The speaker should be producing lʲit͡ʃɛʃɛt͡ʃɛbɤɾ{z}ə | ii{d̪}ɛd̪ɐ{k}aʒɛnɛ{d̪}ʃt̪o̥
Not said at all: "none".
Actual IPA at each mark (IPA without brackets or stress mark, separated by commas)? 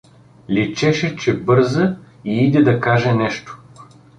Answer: z, d̪, k, none